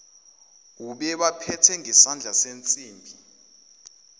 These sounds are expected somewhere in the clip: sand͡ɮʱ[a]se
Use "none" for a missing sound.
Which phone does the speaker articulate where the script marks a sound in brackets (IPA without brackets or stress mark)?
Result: a